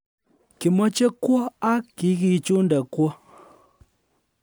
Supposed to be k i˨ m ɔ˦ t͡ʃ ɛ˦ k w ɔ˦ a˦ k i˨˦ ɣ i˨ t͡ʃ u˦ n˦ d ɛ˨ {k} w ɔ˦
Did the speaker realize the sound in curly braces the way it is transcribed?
yes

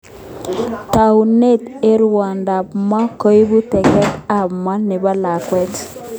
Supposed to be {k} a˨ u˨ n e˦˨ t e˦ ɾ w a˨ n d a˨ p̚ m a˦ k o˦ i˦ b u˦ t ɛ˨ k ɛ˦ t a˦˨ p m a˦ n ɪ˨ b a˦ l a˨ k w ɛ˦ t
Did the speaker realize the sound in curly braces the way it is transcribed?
no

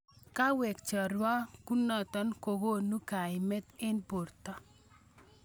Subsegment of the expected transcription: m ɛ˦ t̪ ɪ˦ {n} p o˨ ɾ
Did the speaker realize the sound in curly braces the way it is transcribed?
yes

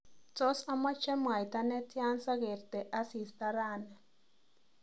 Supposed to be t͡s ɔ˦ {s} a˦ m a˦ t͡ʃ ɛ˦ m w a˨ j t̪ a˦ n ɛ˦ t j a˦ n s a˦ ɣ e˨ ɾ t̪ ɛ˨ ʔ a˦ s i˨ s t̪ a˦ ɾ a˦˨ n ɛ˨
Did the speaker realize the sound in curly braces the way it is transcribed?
yes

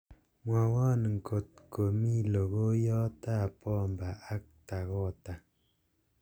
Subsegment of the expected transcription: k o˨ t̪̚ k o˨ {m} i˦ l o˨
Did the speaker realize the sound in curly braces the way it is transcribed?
yes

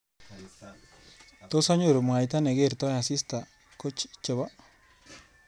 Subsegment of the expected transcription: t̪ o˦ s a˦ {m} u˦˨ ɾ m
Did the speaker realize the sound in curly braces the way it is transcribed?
no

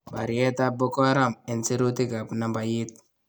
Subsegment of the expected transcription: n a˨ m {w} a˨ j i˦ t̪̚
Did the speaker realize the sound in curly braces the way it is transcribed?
no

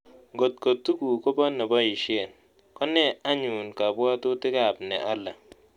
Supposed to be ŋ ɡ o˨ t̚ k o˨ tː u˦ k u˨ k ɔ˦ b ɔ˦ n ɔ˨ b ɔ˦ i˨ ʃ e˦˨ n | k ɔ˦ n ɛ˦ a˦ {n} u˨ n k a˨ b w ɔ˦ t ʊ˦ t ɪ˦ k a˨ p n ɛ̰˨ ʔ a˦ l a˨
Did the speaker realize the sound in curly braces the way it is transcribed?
no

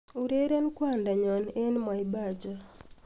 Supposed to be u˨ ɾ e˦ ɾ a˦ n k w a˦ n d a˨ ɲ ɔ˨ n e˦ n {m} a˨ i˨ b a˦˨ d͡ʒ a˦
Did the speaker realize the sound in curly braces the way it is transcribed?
yes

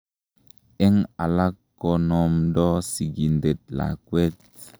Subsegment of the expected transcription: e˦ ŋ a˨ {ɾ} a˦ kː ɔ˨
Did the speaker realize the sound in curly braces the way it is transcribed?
no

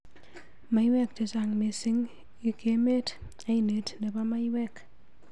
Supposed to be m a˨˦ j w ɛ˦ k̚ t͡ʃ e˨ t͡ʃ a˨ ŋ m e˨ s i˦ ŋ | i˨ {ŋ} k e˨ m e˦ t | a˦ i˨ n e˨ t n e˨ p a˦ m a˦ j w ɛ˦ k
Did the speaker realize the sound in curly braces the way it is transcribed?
no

